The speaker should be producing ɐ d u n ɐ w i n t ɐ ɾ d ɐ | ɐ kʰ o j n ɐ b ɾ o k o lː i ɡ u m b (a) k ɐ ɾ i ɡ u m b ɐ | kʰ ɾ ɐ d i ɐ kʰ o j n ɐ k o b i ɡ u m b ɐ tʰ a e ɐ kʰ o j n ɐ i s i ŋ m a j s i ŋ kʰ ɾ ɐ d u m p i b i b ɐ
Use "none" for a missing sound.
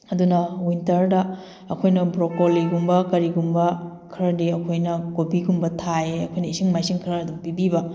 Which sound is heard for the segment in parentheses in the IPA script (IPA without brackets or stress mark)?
ɐ